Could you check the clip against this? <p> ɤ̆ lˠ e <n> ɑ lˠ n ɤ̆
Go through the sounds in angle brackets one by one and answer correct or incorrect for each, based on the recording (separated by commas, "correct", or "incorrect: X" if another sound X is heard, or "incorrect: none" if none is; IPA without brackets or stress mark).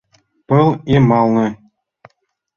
correct, incorrect: m